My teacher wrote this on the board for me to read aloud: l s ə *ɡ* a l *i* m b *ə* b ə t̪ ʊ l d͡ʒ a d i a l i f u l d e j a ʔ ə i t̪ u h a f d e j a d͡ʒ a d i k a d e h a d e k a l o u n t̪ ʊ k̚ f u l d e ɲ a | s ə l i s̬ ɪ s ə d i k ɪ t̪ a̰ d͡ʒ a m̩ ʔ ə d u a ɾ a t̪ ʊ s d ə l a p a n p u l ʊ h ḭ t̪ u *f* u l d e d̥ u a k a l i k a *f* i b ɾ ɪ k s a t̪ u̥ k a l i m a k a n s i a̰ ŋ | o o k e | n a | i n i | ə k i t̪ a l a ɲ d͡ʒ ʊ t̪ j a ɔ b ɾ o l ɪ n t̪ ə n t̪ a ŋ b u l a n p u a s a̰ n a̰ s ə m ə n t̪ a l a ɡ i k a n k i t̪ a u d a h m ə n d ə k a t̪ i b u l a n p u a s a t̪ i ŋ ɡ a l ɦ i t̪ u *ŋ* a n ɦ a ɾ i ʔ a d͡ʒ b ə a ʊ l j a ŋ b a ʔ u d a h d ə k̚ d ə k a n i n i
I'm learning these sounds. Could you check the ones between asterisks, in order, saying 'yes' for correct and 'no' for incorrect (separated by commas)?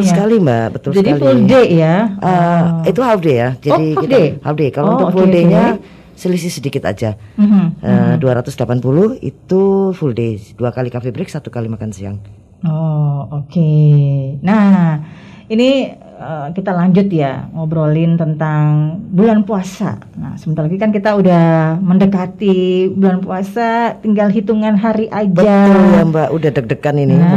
no, yes, no, yes, yes, yes